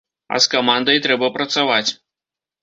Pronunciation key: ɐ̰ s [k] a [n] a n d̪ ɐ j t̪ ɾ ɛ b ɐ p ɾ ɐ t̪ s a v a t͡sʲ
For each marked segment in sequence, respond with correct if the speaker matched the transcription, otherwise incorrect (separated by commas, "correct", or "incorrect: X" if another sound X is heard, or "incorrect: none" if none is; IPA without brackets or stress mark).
correct, incorrect: m